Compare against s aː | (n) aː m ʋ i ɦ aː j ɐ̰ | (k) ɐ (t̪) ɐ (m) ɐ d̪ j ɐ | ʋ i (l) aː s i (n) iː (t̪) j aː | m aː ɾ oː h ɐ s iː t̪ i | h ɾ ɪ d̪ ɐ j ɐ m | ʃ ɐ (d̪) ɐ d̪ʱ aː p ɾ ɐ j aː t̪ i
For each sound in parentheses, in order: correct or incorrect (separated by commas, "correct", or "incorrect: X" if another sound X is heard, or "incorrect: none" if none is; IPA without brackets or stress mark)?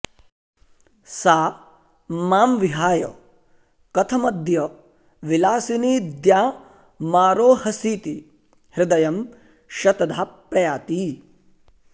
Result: incorrect: m, correct, incorrect: t̪ʰ, correct, correct, correct, incorrect: d̪, incorrect: t̪